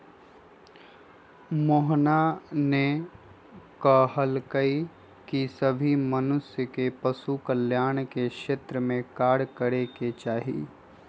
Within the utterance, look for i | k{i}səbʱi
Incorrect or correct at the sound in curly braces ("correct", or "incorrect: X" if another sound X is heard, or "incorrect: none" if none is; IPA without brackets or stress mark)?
correct